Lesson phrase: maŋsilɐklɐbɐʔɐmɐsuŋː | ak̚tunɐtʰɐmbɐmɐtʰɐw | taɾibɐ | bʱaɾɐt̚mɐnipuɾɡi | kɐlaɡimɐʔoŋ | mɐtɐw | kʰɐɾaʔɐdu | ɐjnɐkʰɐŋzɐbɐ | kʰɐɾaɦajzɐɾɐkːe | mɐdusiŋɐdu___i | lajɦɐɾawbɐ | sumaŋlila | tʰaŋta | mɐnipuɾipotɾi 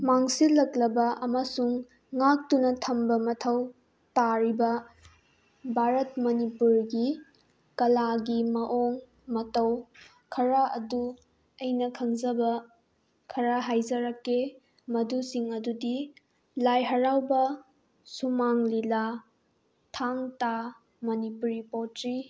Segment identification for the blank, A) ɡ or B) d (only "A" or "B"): B